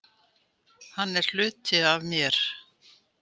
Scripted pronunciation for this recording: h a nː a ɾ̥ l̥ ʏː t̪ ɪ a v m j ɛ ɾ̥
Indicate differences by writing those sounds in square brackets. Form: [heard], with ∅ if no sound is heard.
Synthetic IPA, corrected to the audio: h a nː [ɛ] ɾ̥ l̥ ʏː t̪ ɪ a v m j ɛ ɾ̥